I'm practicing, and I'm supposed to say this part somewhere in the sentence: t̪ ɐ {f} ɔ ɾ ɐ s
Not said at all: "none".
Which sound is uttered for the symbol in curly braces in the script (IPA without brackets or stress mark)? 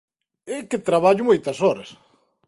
s